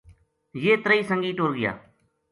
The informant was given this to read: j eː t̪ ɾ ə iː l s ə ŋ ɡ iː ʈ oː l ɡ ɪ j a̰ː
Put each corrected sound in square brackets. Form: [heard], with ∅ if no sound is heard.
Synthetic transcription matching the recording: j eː t̪ ɾ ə iː [∅] s ə ŋ ɡ iː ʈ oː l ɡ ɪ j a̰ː